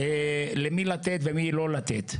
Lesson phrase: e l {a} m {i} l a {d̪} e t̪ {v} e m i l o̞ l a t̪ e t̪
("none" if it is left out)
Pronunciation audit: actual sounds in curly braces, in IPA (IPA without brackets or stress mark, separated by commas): e, i, t̪, v